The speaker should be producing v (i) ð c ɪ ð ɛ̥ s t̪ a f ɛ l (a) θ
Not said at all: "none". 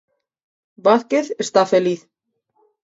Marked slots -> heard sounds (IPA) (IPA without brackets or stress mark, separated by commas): a, i